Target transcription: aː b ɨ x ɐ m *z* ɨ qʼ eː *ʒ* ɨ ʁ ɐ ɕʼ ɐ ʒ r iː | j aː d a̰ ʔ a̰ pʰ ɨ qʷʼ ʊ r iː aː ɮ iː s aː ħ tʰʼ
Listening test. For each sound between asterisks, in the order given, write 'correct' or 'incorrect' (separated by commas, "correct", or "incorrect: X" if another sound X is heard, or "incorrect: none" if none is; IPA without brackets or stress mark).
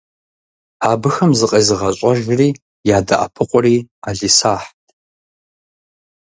correct, incorrect: z